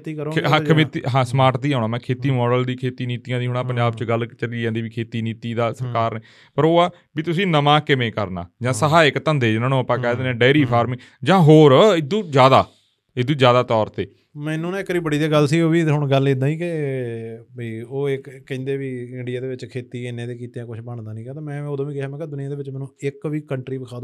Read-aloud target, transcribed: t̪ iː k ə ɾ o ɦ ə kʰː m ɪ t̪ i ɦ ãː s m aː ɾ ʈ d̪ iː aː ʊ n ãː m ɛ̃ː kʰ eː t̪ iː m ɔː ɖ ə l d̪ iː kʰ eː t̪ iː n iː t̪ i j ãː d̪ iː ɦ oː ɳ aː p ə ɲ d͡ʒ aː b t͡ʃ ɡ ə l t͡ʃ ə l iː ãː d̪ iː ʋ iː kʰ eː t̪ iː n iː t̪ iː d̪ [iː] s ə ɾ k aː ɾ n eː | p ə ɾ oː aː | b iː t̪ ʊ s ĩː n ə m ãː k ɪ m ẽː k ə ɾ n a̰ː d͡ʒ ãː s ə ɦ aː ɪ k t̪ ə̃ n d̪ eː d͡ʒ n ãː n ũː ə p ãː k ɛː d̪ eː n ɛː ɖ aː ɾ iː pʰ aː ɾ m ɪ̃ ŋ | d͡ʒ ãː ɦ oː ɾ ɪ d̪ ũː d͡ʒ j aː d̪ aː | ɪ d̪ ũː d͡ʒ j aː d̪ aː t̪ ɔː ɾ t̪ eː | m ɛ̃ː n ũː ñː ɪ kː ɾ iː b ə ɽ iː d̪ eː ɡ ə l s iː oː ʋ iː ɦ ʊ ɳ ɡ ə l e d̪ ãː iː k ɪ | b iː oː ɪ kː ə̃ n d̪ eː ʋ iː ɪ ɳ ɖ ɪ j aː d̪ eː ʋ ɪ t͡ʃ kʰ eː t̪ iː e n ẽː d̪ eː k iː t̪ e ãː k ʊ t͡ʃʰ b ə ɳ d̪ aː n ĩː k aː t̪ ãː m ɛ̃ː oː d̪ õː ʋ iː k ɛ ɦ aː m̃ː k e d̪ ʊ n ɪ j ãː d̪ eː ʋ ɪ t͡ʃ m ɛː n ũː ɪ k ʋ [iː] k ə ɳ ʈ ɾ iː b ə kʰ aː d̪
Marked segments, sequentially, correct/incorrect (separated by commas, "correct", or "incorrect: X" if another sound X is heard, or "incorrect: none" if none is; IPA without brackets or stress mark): incorrect: aː, correct